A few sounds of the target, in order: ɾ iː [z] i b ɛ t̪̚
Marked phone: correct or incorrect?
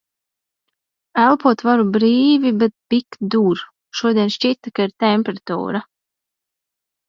incorrect